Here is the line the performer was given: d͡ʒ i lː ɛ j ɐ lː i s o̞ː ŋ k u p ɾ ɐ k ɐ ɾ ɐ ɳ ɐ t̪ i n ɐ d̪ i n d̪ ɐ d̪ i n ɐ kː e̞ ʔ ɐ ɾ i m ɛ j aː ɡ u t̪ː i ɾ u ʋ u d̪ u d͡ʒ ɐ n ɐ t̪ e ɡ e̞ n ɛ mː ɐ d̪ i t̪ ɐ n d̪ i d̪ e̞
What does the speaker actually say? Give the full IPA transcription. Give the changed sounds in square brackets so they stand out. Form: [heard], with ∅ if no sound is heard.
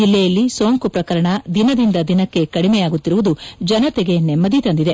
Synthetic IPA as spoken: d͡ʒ i lː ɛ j ɐ lː i s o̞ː ŋ k u p ɾ ɐ k ɐ ɾ ɐ ɳ ɐ [d̪] i n ɐ d̪ i n d̪ ɐ d̪ i n ɐ kː e̞ [k] ɐ [ɽ] i m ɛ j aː ɡ u t̪ː i ɾ u ʋ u d̪ u d͡ʒ ɐ n ɐ t̪ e ɡ e̞ n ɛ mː ɐ d̪ i t̪ ɐ n d̪ i d̪ e̞